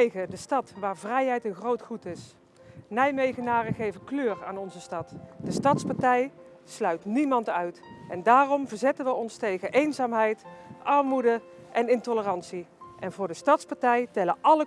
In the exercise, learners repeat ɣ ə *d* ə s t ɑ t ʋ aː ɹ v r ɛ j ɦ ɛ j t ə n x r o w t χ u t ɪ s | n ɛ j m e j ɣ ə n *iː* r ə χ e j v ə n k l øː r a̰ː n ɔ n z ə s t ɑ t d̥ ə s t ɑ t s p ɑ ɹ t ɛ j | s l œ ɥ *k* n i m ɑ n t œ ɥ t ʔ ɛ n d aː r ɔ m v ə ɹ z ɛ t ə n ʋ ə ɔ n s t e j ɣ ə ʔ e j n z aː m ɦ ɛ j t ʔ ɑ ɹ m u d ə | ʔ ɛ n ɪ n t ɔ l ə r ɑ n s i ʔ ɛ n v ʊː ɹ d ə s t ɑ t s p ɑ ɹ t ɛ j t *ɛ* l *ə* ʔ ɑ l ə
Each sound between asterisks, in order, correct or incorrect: correct, incorrect, incorrect, correct, correct

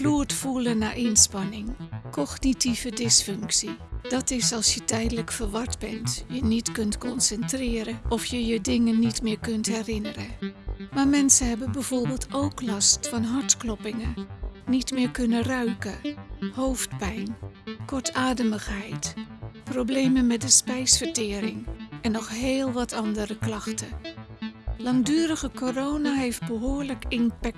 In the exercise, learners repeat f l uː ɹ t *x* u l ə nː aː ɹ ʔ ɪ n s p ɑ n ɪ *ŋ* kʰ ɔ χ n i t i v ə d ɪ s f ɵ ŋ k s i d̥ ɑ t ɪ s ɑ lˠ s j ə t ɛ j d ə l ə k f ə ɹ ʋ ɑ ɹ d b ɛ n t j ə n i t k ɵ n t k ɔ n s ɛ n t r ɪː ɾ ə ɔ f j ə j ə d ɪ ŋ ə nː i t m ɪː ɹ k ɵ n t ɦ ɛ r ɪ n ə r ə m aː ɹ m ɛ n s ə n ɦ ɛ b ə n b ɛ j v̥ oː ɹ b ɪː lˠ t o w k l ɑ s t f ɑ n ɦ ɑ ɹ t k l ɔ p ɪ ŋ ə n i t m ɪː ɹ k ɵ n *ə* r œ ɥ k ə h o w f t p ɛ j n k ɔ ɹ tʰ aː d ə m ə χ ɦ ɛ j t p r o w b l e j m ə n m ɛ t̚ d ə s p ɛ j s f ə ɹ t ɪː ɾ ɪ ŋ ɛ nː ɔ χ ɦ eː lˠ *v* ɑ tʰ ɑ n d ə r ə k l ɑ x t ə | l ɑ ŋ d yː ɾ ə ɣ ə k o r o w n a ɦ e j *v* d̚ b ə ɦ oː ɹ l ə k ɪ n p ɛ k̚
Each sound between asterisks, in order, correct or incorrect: incorrect, correct, correct, incorrect, incorrect

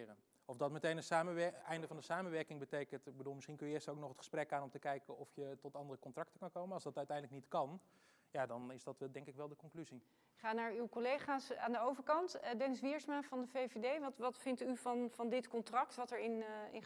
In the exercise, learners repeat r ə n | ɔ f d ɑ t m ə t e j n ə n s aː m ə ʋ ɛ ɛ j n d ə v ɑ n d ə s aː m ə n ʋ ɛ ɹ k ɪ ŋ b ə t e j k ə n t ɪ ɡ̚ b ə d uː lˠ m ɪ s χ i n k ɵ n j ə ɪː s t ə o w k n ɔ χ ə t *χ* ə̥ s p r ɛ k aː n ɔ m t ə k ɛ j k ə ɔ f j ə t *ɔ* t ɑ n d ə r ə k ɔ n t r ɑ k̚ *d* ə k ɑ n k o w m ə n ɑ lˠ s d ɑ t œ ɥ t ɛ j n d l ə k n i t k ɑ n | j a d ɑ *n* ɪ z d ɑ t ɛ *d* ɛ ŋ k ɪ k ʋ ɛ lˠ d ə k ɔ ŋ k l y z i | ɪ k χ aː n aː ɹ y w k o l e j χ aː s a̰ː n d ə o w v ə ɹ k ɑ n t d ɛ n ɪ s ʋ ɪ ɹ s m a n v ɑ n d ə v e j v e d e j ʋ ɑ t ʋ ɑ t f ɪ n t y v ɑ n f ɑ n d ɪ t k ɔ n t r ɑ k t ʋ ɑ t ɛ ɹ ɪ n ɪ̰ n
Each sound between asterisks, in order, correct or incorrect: correct, correct, incorrect, correct, correct

